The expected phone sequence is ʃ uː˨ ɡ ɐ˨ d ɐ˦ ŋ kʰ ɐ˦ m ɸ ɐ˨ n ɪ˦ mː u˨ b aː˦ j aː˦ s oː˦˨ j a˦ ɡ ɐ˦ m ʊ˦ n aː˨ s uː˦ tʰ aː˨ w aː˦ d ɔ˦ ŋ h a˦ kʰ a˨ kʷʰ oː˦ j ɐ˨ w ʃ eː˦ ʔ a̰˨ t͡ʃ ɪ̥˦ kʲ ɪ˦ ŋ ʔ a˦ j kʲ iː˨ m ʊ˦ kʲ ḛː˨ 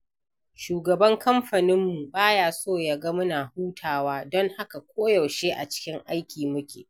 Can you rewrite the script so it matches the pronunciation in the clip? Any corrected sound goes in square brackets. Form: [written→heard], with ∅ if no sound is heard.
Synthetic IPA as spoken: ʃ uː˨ ɡ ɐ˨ [d→b] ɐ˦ ŋ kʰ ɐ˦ m ɸ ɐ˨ n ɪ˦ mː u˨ b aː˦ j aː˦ s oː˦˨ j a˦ ɡ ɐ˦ m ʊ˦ n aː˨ [s→h] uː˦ tʰ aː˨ w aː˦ d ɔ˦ ŋ h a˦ [kʰ→k] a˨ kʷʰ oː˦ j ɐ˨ w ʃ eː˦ ʔ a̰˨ t͡ʃ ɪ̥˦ kʲ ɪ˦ ŋ ʔ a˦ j kʲ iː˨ m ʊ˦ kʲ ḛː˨